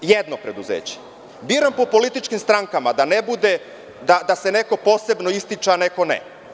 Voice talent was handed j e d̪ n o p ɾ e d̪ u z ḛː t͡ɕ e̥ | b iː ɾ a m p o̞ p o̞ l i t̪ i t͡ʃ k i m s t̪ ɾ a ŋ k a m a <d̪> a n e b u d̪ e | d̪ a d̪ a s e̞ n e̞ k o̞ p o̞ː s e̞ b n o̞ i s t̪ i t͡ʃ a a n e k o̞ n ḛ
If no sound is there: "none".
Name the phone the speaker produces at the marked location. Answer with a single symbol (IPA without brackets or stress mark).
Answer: d̪